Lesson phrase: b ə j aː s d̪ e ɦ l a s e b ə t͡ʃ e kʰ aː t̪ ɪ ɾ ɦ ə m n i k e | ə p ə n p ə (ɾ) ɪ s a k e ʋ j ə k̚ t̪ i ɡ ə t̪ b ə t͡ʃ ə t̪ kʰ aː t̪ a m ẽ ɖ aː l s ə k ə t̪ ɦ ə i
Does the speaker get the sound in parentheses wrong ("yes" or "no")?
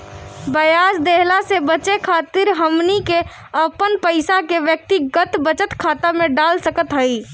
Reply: yes